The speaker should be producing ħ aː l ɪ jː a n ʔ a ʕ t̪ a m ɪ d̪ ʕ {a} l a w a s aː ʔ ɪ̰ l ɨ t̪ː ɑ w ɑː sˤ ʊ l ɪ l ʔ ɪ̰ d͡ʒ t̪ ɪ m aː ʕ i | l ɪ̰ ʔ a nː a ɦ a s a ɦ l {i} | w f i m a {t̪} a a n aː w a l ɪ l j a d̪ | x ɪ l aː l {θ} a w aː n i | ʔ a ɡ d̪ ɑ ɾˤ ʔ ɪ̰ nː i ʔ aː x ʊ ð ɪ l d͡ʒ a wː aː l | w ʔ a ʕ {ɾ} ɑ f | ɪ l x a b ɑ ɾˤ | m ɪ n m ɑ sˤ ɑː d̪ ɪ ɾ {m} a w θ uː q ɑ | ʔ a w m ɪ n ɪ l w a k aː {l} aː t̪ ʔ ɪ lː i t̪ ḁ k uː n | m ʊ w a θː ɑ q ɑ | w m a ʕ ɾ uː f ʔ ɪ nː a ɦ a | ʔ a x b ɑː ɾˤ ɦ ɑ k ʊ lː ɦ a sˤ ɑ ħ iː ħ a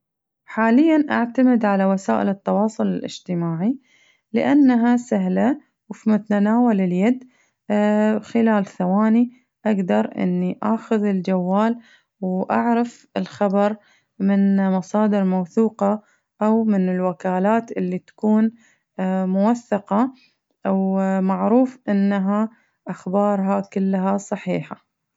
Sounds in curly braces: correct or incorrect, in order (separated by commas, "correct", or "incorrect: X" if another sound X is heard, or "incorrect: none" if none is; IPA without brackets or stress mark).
correct, incorrect: a, correct, correct, correct, correct, correct